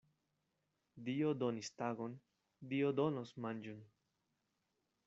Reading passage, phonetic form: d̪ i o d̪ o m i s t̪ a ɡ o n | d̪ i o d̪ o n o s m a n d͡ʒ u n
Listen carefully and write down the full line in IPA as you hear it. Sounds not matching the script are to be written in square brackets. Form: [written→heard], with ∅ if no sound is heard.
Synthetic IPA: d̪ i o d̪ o [m→n] i s t̪ a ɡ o n | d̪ i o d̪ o n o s m a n d͡ʒ u n